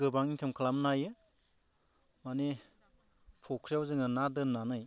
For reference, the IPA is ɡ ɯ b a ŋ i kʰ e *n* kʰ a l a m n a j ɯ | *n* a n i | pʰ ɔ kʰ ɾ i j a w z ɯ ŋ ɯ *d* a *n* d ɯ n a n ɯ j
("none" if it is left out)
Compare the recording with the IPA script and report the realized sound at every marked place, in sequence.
m, m, n, none

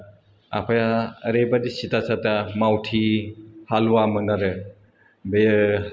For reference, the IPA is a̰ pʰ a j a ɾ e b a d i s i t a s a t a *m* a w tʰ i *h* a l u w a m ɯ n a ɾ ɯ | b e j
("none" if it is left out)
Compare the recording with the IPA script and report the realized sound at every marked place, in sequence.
m, h

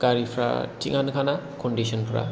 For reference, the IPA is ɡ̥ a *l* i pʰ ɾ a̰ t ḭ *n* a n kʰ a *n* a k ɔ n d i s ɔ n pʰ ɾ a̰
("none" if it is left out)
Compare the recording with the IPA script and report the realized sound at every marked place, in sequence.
ɾ, ŋ, n

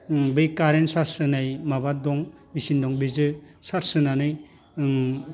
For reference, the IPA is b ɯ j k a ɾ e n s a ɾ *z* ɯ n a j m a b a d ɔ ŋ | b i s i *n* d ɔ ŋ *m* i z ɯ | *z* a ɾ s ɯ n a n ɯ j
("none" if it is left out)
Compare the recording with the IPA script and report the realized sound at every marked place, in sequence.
s, n, b, s

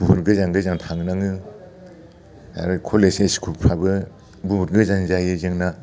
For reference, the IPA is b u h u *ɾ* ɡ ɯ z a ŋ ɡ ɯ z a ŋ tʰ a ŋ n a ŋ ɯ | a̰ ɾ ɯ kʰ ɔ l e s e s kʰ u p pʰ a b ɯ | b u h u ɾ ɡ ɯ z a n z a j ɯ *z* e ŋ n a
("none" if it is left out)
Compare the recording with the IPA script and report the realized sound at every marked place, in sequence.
ɾ, z

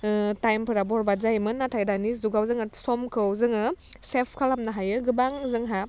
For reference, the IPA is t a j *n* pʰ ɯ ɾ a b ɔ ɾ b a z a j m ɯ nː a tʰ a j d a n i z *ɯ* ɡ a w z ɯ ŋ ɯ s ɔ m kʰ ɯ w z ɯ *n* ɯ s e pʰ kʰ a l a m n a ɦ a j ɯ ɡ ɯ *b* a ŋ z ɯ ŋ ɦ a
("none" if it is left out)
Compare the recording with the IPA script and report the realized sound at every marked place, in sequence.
m, u, ŋ, b

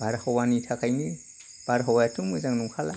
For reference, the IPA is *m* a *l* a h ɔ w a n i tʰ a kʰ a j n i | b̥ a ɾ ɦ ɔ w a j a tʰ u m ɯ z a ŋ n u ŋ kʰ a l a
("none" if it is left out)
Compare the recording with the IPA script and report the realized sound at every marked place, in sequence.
b, ɾ

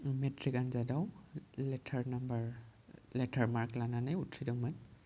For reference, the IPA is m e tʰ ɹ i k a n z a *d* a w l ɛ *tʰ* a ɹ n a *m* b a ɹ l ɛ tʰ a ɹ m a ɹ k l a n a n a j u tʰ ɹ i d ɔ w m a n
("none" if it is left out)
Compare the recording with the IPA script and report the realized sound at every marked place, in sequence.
d, tʰ, m

